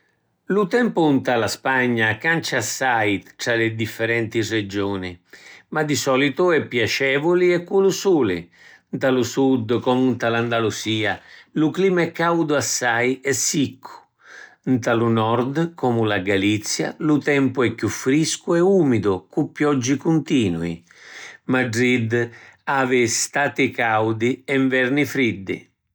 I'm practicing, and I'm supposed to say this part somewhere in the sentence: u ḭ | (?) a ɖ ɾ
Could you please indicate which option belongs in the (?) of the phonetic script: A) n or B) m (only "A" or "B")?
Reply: B